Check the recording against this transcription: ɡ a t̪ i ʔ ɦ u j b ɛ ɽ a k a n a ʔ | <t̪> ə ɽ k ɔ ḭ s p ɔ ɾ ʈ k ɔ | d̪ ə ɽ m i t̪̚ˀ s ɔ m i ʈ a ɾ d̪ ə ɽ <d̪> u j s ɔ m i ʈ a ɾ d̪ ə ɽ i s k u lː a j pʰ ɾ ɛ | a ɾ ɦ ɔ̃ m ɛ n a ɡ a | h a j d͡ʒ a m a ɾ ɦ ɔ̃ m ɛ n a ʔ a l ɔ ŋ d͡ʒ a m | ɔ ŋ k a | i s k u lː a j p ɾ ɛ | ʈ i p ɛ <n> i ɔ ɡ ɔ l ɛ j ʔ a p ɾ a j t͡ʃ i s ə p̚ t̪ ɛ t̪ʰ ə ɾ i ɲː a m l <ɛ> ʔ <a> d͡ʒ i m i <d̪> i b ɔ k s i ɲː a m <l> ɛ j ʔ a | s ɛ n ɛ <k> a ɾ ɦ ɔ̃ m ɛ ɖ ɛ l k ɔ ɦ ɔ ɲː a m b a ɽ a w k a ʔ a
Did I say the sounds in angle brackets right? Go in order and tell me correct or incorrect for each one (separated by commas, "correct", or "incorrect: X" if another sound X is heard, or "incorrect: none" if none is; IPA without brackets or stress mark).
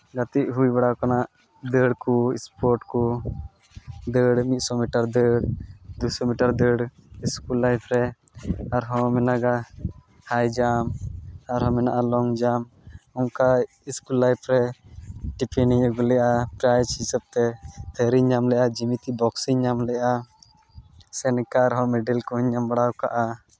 incorrect: d̪, correct, correct, correct, correct, incorrect: t̪, correct, correct